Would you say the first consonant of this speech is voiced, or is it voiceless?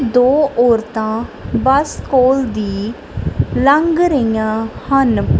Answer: voiced